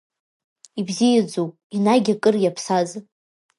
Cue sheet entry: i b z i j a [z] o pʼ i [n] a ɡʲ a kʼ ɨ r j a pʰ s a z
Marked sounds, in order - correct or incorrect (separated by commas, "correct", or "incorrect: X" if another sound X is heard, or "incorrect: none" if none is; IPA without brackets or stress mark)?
incorrect: d͡z, correct